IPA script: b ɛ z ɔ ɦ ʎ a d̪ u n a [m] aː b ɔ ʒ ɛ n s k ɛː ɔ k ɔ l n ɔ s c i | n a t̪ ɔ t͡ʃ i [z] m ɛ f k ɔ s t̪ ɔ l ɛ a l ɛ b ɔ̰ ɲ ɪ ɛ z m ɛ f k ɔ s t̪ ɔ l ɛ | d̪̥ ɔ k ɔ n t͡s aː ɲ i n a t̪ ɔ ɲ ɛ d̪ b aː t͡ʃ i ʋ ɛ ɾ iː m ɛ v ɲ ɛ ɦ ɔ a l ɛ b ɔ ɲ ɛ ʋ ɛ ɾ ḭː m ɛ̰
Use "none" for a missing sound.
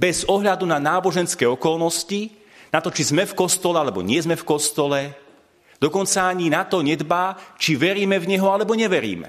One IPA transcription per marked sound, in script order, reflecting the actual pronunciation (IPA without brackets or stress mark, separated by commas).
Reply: n, z